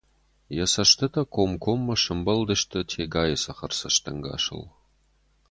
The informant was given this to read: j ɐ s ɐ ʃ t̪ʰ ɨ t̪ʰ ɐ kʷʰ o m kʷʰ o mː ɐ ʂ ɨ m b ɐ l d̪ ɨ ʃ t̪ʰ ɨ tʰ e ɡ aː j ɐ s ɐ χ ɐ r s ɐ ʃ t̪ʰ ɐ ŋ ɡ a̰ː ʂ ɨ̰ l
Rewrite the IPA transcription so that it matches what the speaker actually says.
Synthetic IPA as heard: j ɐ s ɐ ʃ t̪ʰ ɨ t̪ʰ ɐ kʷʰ o m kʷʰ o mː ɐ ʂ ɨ m b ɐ l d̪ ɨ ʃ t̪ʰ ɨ tʰ e ɡ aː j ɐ s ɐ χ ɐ r s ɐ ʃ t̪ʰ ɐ ŋ ɡ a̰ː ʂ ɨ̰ l